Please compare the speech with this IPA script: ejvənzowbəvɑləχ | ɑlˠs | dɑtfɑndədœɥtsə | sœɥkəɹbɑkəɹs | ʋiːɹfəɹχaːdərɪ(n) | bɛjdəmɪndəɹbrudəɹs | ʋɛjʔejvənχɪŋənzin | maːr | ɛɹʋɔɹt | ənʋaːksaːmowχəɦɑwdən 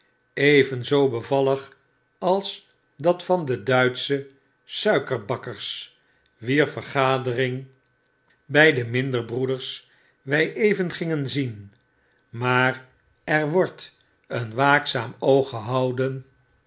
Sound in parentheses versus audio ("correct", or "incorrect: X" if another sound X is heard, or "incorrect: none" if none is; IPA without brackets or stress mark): incorrect: ŋ